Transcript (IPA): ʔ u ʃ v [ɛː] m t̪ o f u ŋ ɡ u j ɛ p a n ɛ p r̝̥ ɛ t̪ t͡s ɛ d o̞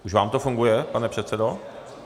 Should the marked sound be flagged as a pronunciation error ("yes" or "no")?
yes